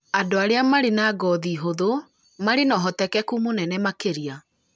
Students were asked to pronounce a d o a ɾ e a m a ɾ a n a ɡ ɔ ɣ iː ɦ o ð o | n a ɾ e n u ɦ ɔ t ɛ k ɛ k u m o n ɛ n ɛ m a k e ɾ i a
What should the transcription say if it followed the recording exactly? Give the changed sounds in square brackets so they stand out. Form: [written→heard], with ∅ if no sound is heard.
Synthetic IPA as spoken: a d o a ɾ e a m a ɾ [a→e] n a ɡ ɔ [ɣ→ð] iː ɦ o ð o | [n→m] a ɾ e n [u→ɔ] ɦ ɔ t ɛ k ɛ k u m o n ɛ n ɛ m a k e ɾ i a